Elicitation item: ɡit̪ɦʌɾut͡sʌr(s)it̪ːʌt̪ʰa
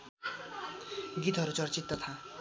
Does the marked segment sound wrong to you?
yes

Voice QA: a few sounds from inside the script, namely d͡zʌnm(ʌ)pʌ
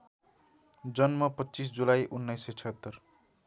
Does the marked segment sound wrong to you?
no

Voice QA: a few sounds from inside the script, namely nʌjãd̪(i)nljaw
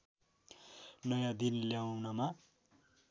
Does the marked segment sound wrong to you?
no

